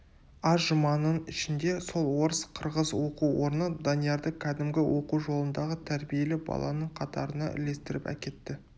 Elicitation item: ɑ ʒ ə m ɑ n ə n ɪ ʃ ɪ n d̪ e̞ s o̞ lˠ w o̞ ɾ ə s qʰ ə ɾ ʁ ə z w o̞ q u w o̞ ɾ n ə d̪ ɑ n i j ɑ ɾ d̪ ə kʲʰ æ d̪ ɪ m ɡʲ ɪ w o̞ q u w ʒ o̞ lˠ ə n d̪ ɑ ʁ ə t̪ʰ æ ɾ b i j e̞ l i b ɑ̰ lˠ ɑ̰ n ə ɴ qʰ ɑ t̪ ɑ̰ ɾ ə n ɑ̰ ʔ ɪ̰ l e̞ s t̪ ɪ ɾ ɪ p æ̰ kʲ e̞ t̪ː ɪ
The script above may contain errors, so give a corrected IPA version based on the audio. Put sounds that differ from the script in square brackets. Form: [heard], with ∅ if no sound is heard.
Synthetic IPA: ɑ ʒ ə m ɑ n ə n ɪ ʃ ɪ n d̪ e̞ s o̞ lˠ w o̞ ɾ ə s qʰ ə ɾ ʁ ə z w o̞ q u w o̞ ɾ n ə d̪ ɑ n i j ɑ ɾ d̪ ə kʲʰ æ d̪ ɪ m ɡʲ ɪ w o̞ q u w ʒ o̞ lˠ ə n d̪ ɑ ʁ ə t̪ʰ æ ɾ b i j e̞ l [ɪ] b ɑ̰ lˠ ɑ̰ n ə ɴ qʰ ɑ t̪ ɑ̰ ɾ ə n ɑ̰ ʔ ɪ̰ l e̞ s t̪ ɪ ɾ ɪ p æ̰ kʲ e̞ t̪ː ɪ